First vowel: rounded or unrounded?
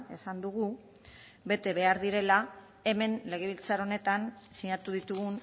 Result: unrounded